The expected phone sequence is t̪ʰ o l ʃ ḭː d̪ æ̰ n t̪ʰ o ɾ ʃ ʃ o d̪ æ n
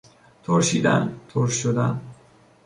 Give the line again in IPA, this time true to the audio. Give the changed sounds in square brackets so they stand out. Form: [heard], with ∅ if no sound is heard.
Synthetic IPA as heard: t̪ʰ o [ɾ] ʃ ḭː d̪ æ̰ n t̪ʰ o ɾ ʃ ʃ o d̪ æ n